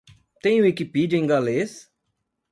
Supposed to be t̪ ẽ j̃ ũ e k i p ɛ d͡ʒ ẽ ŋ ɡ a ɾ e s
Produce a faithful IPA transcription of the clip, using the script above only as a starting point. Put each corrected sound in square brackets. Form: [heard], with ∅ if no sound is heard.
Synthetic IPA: t̪ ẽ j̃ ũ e k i p [i] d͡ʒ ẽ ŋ ɡ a [l] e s